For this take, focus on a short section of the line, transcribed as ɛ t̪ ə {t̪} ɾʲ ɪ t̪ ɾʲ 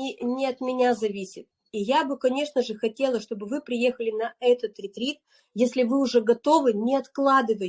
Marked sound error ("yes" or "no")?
no